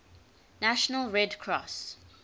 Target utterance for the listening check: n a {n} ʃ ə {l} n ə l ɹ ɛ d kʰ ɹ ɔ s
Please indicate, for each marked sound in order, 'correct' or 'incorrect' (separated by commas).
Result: incorrect, incorrect